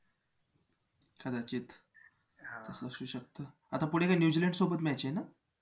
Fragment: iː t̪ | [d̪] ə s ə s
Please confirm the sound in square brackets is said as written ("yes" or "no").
no